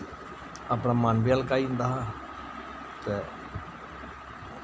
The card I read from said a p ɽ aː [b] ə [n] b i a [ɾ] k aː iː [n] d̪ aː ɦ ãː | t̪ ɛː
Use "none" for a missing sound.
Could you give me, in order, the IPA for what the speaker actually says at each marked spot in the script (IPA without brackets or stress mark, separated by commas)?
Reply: m, n, l, n